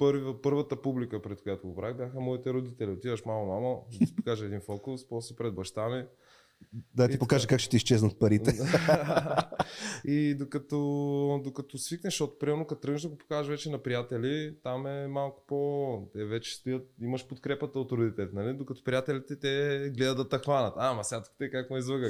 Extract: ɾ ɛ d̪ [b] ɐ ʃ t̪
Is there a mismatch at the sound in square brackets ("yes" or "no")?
no